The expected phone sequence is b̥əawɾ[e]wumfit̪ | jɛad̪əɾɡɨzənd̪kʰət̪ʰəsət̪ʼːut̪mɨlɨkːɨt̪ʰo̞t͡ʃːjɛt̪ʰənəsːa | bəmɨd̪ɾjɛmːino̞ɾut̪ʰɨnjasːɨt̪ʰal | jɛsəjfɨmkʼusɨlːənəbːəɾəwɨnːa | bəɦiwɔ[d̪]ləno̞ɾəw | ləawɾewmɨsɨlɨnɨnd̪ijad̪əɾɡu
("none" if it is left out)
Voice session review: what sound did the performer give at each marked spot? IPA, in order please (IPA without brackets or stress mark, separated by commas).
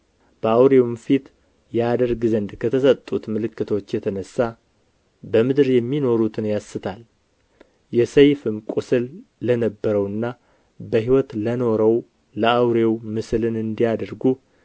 e, t̪